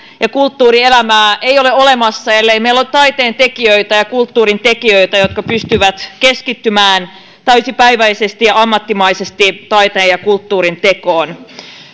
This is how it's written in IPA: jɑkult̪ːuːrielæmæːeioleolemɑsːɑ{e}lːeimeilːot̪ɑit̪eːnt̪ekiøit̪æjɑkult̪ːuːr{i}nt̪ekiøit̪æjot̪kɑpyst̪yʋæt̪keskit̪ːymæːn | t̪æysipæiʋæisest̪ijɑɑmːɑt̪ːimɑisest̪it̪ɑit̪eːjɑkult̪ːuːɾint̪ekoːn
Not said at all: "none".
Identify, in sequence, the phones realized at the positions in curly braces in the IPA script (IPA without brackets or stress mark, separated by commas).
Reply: e, i